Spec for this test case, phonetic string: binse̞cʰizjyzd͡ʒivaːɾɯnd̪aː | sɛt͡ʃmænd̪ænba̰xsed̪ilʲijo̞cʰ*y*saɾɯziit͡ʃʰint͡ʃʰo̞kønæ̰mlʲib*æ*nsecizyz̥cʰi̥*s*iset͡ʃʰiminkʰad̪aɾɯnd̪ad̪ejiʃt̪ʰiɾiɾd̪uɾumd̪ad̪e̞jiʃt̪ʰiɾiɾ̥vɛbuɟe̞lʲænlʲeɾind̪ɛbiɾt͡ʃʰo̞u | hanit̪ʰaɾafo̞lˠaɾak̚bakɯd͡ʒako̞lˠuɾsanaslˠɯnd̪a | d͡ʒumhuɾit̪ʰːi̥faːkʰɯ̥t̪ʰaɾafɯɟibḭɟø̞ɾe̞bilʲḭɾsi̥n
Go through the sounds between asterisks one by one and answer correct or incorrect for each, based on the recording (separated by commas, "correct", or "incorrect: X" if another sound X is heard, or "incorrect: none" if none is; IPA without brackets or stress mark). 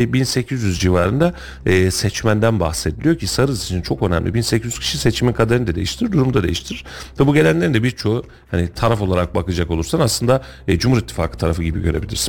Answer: incorrect: i, incorrect: i, incorrect: ʃ